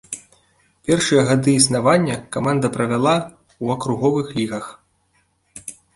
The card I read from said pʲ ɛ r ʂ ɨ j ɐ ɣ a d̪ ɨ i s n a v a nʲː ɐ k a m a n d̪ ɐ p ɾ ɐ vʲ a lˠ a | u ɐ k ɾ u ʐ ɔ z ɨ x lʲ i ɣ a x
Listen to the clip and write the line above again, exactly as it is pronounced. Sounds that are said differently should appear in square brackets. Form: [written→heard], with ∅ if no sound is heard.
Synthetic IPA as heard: pʲ ɛ r ʂ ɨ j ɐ ɣ a d̪ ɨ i s n a v a nʲː ɐ k a m a n d̪ ɐ p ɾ ɐ vʲ a lˠ a | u ɐ k ɾ u [ʐ→ɣ] ɔ [z→v] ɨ x lʲ i ɣ [a→ɐ] x